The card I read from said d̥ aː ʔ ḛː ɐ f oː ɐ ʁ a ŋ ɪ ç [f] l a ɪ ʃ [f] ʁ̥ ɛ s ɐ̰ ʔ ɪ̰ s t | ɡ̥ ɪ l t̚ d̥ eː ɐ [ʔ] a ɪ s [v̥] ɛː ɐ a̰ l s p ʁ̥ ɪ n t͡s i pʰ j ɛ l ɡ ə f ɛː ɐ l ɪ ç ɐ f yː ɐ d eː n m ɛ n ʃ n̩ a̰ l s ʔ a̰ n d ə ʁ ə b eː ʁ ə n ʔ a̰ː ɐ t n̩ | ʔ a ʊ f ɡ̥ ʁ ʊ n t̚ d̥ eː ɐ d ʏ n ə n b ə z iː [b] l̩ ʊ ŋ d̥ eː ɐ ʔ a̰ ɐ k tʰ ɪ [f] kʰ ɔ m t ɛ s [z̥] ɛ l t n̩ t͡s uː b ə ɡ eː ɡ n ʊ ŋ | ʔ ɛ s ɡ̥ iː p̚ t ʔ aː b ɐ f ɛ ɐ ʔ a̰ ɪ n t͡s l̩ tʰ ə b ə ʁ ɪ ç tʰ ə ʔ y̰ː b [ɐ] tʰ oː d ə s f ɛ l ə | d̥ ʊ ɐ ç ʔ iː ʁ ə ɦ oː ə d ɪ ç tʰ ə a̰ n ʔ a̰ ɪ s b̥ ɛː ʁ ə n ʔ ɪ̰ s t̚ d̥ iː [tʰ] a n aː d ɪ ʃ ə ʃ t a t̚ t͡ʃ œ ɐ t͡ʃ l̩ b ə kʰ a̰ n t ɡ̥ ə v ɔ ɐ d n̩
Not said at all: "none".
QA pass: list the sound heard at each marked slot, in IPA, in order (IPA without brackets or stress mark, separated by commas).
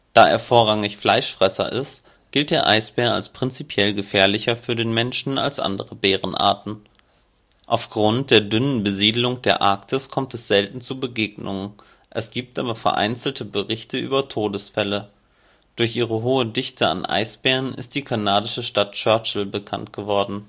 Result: f, f, ʔ, b̥, d, s, z̥, ɐ, kʰ